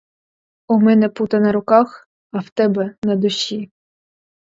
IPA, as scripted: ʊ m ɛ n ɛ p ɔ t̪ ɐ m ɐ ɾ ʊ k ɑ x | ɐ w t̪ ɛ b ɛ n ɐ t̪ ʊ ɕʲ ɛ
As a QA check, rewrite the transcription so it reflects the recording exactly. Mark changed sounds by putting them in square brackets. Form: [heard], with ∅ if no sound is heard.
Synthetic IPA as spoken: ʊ m ɛ n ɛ p [u] t̪ ɐ [n] ɐ ɾ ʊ k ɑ x | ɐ w t̪ ɛ b ɛ n ɐ [d̪] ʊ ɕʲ [i]